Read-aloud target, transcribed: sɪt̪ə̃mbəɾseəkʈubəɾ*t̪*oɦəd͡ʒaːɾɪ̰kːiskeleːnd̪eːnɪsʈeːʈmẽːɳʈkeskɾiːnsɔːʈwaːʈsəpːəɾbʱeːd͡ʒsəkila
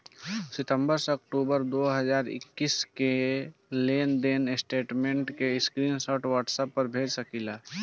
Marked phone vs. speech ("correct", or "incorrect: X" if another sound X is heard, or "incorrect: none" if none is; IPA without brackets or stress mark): incorrect: d̪